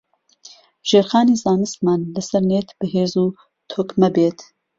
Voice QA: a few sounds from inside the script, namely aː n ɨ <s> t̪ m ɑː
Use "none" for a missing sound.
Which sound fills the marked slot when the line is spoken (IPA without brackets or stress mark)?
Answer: s